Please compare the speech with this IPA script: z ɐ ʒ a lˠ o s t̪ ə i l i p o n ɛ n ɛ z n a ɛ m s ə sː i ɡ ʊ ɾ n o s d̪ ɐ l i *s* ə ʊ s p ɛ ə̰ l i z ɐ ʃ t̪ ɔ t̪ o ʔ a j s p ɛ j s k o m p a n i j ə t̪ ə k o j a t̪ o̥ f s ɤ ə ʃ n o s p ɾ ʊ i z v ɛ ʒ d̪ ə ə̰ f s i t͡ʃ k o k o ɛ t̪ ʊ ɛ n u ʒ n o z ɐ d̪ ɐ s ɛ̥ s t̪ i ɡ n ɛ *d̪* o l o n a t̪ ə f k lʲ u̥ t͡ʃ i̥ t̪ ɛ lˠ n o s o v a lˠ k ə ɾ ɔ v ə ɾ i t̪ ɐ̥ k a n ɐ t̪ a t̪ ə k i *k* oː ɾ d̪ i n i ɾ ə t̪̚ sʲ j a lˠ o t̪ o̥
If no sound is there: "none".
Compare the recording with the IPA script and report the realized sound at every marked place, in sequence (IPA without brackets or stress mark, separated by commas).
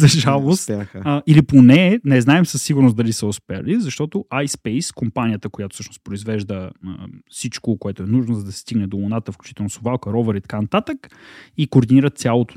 s, d̪, k